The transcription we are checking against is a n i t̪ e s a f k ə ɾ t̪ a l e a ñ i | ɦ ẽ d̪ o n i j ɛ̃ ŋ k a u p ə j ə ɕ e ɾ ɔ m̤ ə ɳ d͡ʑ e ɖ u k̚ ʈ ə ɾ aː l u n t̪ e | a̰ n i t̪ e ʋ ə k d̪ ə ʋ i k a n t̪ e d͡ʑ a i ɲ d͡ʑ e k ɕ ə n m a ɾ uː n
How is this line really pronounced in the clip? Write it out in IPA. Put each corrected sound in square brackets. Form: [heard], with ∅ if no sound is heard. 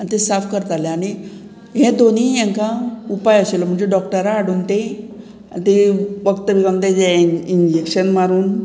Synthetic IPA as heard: a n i t̪ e s a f k ə ɾ t̪ a l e a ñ i | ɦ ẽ d̪ o n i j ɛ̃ ŋ k a u p [a] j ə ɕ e [l] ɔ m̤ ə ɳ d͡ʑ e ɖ [ɔ] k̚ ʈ ə ɾ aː [ɽ] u n t̪ e | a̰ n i t̪ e ʋ ə k [t̪] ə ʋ i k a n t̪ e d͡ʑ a i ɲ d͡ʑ e k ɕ ə n m a ɾ uː n

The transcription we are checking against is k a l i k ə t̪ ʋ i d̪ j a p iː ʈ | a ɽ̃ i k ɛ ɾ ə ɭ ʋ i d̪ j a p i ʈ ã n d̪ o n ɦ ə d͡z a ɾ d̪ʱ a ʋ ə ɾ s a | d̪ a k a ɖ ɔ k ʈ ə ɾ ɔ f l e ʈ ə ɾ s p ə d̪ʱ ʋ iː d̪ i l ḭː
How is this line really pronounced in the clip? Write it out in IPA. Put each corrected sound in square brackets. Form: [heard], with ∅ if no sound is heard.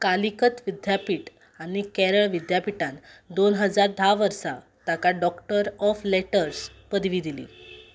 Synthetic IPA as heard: k a l i k ə t̪ ʋ i d̪ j a p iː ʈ | a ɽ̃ i k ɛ ɾ ə ɭ ʋ i d̪ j a p i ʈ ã n d̪ o n ɦ ə d͡z a ɾ d̪ʱ a ʋ ə ɾ s a | [t̪] a k a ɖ ɔ k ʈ ə ɾ ɔ f l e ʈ ə ɾ s p ə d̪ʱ ʋ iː d̪ i l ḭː

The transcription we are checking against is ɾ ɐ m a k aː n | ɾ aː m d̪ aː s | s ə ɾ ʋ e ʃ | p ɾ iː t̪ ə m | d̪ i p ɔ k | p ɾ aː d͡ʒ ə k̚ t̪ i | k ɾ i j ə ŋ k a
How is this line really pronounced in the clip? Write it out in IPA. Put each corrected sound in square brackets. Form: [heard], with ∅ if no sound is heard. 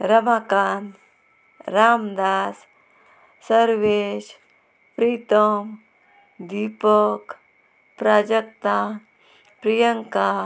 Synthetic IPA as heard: ɾ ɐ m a k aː n | ɾ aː m d̪ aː s | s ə ɾ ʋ e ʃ | p ɾ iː t̪ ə m | d̪ i p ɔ k | p ɾ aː d͡ʒ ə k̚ t̪ [a] | [p] ɾ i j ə ŋ k a

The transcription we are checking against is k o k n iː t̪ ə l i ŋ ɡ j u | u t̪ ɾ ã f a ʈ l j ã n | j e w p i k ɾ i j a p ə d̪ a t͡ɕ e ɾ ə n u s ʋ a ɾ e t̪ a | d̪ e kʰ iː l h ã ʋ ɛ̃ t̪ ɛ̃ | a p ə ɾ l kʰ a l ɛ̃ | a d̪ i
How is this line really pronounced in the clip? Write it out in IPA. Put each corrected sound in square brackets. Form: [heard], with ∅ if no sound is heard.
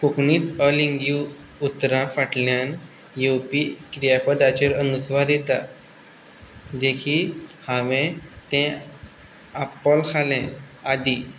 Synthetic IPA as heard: k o k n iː t̪ ə l i ŋ ɡ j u | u t̪ ɾ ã f a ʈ l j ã n | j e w p i k ɾ i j a p ə d̪ a t͡ɕ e ɾ ə n u s ʋ a ɾ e t̪ a | d̪ e kʰ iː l h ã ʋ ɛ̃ t̪ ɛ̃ | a p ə [∅] l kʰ a l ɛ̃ | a d̪ i

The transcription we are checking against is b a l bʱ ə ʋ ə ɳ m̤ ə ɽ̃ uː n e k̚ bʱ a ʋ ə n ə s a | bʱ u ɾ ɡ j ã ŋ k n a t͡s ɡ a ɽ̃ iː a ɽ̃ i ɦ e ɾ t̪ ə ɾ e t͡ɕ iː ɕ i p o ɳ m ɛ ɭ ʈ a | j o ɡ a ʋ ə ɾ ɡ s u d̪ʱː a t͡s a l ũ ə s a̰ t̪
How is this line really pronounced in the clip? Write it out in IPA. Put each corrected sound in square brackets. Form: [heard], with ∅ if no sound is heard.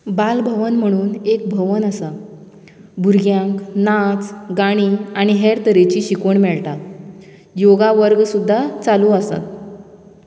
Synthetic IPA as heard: b a l bʱ ə ʋ ə [n] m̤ ə ɽ̃ uː n e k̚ bʱ [ə] ʋ ə n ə s a | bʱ u ɾ ɡ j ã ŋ k n a t͡s ɡ a ɽ̃ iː a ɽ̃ i ɦ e ɾ t̪ ə ɾ e t͡ɕ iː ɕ i [k] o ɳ m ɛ ɭ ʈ a | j o ɡ a ʋ ə ɾ ɡ s u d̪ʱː a t͡s a l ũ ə s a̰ t̪

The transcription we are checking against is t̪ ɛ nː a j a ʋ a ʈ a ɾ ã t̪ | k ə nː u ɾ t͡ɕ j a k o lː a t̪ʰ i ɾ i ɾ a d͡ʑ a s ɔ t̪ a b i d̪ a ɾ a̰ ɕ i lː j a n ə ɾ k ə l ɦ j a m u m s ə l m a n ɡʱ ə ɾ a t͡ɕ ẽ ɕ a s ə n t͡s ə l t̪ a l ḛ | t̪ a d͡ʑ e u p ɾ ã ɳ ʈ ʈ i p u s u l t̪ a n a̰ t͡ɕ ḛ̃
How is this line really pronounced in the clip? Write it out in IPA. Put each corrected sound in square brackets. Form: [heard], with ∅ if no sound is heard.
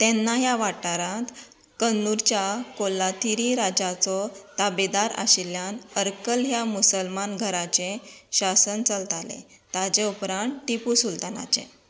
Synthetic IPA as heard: t̪ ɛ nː a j a ʋ a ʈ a ɾ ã t̪ | k ə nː u ɾ t͡ɕ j a k o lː a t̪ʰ i ɾ i ɾ a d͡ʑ a [t͡s] ɔ t̪ a b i d̪ a ɾ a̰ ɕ i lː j a n ə ɾ k ə l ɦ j a m u [∅] s ə l m a n ɡʱ ə ɾ a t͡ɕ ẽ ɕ a s ə n t͡s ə l t̪ a l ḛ | t̪ a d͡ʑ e u p ɾ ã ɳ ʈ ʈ i p u s u l t̪ a n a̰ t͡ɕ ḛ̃

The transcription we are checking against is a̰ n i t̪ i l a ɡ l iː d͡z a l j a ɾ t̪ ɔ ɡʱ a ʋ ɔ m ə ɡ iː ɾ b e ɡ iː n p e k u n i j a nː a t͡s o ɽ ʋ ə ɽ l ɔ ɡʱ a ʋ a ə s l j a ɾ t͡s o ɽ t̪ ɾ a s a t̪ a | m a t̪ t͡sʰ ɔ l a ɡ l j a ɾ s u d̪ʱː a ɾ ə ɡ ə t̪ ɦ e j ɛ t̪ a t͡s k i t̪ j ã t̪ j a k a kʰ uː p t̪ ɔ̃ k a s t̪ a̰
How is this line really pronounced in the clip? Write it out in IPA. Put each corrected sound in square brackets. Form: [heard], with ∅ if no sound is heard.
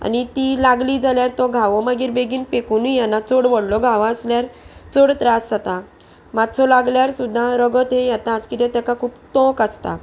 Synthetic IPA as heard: a̰ n i t̪ i l a ɡ l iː d͡z a l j a ɾ t̪ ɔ ɡʱ a ʋ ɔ m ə ɡ iː ɾ b e ɡ iː n p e k u n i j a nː a t͡s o ɽ ʋ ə ɽ l ɔ ɡʱ a ʋ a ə s l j a ɾ t͡s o ɽ t̪ ɾ a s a t̪ a | m a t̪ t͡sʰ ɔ l a ɡ l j a ɾ s u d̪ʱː a ɾ ə ɡ ə t̪ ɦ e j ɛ t̪ a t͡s k i t̪ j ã t̪ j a k a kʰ uː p t̪ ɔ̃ k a s t̪ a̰

